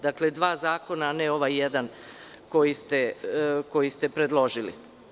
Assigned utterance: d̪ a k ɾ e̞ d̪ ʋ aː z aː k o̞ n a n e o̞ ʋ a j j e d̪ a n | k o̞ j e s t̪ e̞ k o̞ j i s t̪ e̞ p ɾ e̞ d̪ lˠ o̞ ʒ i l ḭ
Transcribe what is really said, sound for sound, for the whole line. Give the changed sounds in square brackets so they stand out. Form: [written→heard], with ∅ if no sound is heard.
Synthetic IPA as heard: d̪ a k [ɾ→l] e̞ d̪ ʋ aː z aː k o̞ n a n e o̞ ʋ a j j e d̪ a n | k o̞ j [e→i] s t̪ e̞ k o̞ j i s t̪ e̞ p ɾ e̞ d̪ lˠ o̞ ʒ i l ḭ